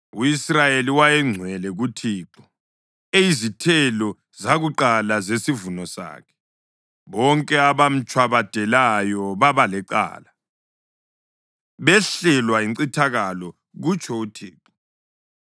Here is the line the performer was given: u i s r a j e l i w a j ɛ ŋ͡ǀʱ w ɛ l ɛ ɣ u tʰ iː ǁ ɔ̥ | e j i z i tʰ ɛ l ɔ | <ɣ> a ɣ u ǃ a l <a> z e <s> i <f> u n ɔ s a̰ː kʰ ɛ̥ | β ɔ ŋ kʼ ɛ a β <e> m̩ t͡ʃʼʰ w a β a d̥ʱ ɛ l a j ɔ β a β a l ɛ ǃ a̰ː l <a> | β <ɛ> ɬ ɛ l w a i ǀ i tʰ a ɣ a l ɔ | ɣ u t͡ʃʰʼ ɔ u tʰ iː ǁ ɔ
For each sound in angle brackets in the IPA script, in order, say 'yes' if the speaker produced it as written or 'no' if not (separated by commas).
no, yes, yes, no, no, yes, yes